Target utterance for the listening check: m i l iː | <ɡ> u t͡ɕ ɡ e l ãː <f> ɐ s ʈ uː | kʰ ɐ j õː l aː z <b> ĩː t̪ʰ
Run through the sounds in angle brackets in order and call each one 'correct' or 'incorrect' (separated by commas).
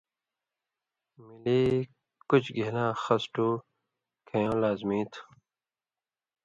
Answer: incorrect, incorrect, incorrect